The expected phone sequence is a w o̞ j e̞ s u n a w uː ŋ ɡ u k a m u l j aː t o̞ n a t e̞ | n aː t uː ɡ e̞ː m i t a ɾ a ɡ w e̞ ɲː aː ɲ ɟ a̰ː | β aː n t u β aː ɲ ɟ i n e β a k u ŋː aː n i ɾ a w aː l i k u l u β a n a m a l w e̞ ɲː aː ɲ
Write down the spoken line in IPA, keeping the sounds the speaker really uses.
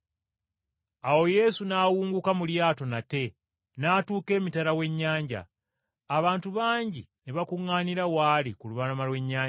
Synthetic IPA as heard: a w o̞ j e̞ s u n a w uː ŋ ɡ u k a m u l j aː t o̞ n a t e̞ | n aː t uː k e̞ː m i t a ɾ a w e̞ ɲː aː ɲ ɟ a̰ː | β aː n t u β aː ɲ ɟ i n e β a k u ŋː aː n i ɾ a w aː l i k u l u β a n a m a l w e̞ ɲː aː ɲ